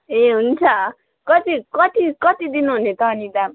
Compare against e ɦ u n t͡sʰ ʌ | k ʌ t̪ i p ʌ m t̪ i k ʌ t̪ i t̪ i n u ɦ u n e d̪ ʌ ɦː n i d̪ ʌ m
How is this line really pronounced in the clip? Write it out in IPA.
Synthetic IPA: e ɦ u n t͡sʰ ʌ | k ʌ t̪ i k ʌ t̪ i k ʌ t̪ i d̪ i n u ɦ u n e t̪ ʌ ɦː n i d̪ a m